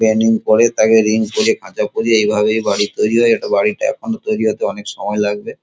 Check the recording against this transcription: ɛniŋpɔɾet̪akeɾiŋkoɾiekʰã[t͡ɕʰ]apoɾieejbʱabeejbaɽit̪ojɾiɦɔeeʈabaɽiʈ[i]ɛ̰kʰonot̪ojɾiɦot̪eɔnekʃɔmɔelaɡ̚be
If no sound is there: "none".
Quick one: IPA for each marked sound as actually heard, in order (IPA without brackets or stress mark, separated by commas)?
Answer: t͡ɕ, a